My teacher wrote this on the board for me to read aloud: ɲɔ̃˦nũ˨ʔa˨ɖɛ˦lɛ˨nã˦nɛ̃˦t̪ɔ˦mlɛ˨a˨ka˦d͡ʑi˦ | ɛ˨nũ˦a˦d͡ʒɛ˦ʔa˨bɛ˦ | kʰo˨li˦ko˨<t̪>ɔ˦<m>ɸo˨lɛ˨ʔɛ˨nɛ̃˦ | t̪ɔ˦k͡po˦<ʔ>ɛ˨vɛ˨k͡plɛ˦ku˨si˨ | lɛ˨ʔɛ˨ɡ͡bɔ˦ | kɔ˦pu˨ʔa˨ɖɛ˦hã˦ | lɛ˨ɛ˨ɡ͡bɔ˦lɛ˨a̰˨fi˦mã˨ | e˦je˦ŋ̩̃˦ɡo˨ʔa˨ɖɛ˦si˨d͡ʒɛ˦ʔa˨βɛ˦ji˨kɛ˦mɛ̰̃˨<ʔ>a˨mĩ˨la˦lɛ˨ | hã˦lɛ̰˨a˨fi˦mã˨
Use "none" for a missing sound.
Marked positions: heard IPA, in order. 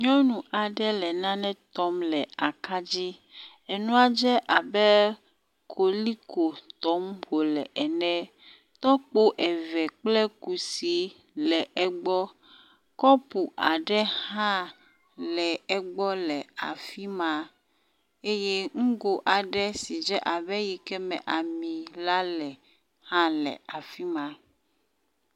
t̪, m, ʔ, ʔ

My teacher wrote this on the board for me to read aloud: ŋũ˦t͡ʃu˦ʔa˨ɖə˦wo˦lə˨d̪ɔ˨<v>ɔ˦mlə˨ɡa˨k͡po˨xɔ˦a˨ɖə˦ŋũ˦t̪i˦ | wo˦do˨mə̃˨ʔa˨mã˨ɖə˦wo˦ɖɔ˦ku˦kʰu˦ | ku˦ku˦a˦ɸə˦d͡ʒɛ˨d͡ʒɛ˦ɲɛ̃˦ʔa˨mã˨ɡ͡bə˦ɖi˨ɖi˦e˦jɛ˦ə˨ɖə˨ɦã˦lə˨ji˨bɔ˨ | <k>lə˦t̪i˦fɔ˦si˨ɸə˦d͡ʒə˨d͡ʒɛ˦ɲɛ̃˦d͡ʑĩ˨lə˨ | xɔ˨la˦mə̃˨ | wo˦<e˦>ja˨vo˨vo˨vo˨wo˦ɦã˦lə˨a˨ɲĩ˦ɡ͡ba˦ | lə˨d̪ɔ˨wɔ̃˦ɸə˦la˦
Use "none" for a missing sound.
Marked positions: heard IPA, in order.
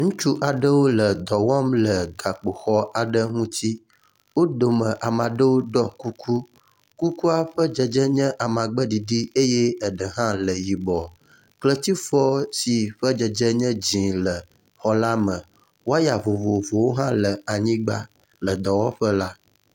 w, k, a˦

